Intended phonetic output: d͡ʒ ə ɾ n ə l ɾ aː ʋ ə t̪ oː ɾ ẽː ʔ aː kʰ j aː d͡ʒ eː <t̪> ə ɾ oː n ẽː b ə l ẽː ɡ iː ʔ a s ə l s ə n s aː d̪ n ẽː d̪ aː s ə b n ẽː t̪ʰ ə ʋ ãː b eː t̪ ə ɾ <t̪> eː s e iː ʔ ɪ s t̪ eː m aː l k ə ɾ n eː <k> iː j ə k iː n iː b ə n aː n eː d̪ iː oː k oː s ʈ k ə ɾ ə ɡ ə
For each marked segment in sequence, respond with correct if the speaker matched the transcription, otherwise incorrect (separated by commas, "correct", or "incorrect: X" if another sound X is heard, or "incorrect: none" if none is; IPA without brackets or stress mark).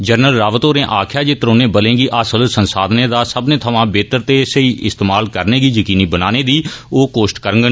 correct, correct, incorrect: ɡ